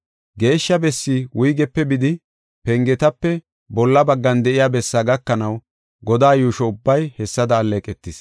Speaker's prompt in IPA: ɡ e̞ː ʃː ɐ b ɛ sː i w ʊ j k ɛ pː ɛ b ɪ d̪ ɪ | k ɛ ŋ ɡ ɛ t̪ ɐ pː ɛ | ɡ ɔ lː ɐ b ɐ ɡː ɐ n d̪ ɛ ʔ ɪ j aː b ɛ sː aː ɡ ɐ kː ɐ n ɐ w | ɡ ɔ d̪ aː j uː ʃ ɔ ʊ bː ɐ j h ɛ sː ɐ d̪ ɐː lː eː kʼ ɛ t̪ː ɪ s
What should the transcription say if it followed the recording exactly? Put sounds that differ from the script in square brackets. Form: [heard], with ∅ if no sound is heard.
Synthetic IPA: ɡ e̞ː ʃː ɐ b ɛ sː i w ʊ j [ɡ] ɛ pː ɛ b ɪ d̪ ɪ | [p] ɛ ŋ ɡ ɛ t̪ ɐ pː ɛ | [b] ɔ lː ɐ b ɐ ɡː ɐ n d̪ ɛ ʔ ɪ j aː b ɛ sː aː ɡ ɐ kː ɐ n ɐ w | ɡ ɔ d̪ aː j uː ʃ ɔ ʊ bː ɐ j h ɛ sː ɐ d̪ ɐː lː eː kʼ ɛ t̪ː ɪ s

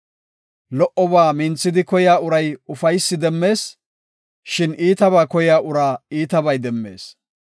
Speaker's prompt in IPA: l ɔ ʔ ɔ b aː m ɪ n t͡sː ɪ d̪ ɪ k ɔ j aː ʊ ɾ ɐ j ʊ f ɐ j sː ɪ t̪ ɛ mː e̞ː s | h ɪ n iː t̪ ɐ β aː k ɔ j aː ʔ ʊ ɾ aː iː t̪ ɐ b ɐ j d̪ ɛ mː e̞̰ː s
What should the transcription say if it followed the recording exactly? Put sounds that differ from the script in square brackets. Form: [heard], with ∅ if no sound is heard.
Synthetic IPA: l ɔ ʔ ɔ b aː m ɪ n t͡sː ɪ d̪ ɪ k ɔ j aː ʊ ɾ ɐ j ʊ f ɐ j sː ɪ [d̪] ɛ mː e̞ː s | [ʃ] ɪ n iː t̪ ɐ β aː k ɔ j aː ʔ ʊ ɾ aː iː t̪ ɐ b ɐ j d̪ ɛ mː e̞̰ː s

